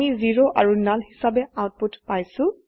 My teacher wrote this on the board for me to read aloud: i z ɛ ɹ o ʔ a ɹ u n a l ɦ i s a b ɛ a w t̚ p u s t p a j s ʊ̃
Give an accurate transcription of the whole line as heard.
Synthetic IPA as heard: i z i ɹ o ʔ a ɹ u n a l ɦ i s a b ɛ a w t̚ p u t p a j s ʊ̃